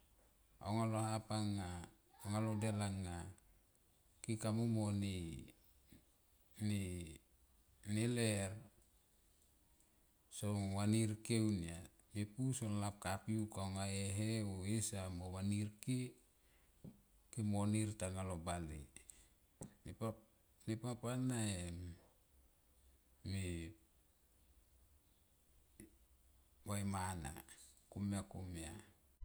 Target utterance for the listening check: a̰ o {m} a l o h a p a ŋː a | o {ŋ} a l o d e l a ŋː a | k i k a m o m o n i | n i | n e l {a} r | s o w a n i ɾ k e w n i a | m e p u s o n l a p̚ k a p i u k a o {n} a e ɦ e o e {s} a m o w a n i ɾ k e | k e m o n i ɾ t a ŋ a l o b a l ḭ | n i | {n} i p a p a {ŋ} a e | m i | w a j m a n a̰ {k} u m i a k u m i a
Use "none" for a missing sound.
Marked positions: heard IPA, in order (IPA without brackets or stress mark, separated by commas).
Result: ŋ, ŋ, e, ŋ, s, n, n, k